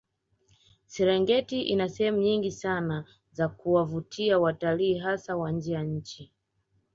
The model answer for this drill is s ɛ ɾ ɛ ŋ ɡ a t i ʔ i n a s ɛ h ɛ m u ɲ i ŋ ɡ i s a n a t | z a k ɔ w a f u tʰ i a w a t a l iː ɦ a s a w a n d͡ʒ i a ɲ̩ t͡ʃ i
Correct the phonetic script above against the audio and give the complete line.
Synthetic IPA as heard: s ɛ ɾ ɛ ŋ ɡ ɛ t i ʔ i n a s ɛ h ɛ m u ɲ i ŋ ɡ i s a n a | z a k u w a v u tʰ i a w a t a l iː ɦ a s a w a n d͡ʒ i a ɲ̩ t͡ʃ i